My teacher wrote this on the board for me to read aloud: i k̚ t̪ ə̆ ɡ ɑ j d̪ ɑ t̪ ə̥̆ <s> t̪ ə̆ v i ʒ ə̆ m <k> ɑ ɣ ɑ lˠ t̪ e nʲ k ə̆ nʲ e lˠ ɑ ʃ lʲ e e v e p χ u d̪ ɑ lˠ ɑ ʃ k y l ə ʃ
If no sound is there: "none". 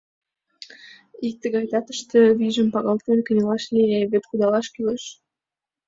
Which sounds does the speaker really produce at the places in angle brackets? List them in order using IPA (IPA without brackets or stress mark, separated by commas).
ʃ, p